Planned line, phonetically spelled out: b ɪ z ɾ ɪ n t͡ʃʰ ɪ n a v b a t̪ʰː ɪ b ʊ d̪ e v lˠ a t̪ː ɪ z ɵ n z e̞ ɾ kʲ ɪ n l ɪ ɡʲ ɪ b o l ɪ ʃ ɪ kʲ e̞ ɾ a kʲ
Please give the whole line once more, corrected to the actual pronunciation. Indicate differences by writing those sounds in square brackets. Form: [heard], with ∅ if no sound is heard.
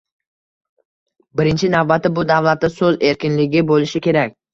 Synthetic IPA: b ɪ [∅] ɾ ɪ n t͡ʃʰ ɪ n a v b a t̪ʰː ɪ b ʊ d̪ [a] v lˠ a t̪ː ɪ [s] ɵ [∅] z e̞ ɾ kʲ ɪ n l ɪ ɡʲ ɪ b o l ɪ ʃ ɪ kʲ e̞ ɾ a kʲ